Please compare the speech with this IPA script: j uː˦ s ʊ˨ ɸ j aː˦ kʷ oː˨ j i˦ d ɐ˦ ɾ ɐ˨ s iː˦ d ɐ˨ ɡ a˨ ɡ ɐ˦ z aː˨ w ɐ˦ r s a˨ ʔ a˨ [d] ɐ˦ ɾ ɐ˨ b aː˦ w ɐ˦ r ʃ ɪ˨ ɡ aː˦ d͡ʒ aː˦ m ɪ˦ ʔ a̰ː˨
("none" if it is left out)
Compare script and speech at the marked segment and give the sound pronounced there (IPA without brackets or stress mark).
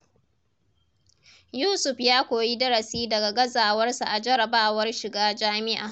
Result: d͡ʒ